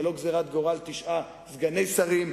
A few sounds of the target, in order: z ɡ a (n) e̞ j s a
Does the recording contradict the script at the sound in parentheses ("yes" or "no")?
no